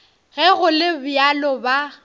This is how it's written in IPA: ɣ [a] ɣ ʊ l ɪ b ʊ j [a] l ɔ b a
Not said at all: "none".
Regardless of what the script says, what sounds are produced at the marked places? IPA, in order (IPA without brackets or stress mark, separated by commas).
ɛ, a